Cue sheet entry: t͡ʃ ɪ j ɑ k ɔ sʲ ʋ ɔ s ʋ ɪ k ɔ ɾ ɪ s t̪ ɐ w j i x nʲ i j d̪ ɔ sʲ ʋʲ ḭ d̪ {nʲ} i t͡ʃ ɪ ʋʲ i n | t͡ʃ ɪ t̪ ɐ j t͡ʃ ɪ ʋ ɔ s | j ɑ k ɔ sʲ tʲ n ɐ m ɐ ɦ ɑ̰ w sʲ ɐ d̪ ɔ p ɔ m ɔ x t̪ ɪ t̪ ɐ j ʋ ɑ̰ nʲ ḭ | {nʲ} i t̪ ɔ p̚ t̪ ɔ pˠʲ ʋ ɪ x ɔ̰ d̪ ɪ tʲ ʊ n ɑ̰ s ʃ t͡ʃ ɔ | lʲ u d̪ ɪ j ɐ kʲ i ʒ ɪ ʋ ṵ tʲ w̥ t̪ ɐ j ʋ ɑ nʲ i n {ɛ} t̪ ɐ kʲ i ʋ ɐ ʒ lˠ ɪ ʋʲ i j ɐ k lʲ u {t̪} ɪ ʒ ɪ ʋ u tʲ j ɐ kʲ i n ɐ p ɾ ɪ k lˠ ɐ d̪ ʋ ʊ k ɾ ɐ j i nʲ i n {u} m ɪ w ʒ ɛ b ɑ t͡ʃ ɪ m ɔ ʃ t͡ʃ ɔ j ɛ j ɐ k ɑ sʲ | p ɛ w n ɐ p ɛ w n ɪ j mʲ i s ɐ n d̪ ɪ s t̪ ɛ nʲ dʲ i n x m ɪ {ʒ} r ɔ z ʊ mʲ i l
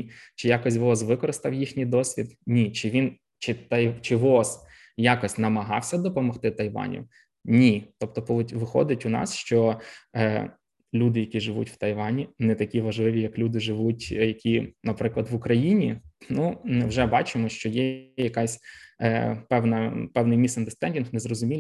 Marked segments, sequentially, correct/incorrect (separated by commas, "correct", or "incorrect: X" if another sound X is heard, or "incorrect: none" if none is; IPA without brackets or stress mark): correct, correct, correct, incorrect: d̪, correct, incorrect: z